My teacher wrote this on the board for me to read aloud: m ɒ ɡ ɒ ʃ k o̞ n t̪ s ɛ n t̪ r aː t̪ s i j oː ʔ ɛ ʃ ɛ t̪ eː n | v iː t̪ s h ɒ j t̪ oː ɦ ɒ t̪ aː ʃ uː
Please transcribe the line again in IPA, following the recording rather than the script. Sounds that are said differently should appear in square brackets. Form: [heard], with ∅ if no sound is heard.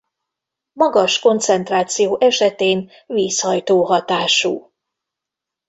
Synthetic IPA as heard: m ɒ ɡ ɒ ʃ k o̞ n t̪ s ɛ n t̪ r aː t̪ s i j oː ʔ ɛ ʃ ɛ t̪ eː n | v iː [∅] s h ɒ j t̪ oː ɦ ɒ t̪ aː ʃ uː